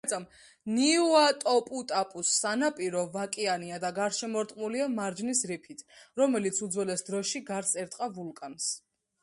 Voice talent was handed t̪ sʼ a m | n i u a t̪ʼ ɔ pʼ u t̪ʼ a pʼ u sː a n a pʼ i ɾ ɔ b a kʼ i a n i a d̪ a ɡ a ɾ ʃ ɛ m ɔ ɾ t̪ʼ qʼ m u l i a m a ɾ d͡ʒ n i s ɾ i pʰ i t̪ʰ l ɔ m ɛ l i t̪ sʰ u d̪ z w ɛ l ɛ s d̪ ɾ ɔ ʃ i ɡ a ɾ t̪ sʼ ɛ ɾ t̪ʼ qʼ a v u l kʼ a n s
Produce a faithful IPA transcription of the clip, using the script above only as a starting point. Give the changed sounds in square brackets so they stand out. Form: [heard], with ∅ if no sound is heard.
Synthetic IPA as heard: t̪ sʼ a m | n i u a t̪ʼ ɔ pʼ u t̪ʼ a pʼ u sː a n a pʼ i ɾ ɔ [v] a kʼ i a n i a d̪ a ɡ a ɾ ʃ ɛ m ɔ ɾ t̪ʼ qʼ m u l i a m a ɾ d͡ʒ n i s ɾ i pʰ i t̪ʰ [ɾ] ɔ m ɛ l i t̪ sʰ u d̪ z w ɛ l ɛ s d̪ ɾ ɔ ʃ i ɡ a ɾ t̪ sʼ ɛ ɾ t̪ʼ qʼ a v u l kʼ a n s